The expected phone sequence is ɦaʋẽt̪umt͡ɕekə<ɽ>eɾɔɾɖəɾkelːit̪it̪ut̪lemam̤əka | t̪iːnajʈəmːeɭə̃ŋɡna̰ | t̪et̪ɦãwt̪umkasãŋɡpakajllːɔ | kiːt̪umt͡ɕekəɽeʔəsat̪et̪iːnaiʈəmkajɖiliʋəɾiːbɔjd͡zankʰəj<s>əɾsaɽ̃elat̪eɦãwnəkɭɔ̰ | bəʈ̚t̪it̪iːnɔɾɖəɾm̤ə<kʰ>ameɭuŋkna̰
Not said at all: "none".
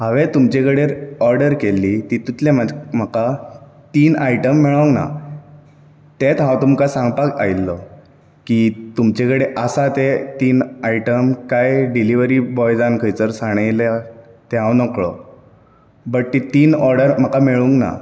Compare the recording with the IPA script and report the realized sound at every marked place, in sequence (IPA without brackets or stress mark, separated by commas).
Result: ɽ, t͡s, k